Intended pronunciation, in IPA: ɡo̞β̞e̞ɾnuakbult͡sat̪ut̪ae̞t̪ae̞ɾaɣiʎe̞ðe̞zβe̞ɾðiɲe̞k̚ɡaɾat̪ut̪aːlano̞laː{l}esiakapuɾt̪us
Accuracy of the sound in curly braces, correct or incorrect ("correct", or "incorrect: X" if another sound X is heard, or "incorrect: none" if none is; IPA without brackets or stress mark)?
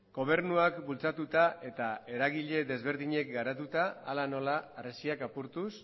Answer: incorrect: r